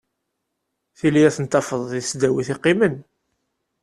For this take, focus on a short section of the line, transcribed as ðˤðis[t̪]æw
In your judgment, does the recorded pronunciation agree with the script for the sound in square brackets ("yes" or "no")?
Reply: no